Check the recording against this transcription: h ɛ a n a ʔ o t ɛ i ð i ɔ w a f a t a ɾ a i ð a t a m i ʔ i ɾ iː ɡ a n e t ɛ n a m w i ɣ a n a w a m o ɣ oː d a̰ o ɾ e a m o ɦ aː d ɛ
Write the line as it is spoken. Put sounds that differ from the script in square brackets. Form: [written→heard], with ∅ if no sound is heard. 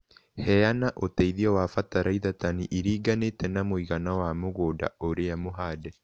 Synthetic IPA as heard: h ɛ a n a ʔ o t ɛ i ð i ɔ w a f a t a ɾ a i ð a t a [m→n] i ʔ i ɾ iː ɡ a n e t ɛ n a m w i ɣ a n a w a m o ɣ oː d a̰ o ɾ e a m o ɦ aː d ɛ